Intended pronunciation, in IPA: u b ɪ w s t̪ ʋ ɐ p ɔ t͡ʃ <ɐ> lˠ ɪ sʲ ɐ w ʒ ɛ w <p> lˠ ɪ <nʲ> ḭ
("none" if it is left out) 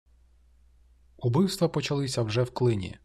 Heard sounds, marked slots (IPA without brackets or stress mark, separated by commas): ɐ, k, nʲ